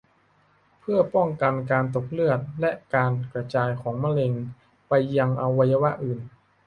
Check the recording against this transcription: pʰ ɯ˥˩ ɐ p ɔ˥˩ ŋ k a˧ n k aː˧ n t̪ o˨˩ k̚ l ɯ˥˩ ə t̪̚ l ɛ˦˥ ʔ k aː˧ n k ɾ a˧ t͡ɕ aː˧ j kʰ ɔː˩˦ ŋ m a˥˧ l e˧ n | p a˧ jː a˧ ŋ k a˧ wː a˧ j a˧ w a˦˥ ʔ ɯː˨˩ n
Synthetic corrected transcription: pʰ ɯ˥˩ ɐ p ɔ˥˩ ŋ k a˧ n k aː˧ n t̪ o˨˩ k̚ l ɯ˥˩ ə t̪̚ l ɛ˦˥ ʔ k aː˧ n k ɾ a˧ t͡ɕ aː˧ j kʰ ɔː˩˦ ŋ m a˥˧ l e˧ ŋ | p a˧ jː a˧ ŋ ʔ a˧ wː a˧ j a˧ w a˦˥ ʔ ɯː˨˩ n